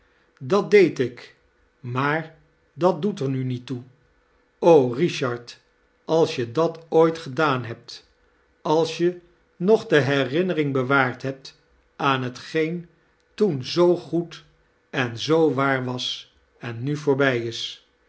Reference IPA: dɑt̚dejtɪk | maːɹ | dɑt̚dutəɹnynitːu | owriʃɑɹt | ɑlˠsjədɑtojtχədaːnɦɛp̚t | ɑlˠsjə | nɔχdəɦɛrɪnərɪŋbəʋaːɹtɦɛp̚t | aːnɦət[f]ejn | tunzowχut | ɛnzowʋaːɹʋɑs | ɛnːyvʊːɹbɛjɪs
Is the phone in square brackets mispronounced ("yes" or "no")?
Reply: yes